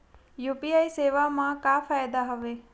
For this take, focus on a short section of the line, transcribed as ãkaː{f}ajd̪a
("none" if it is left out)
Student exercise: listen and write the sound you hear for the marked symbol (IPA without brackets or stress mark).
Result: f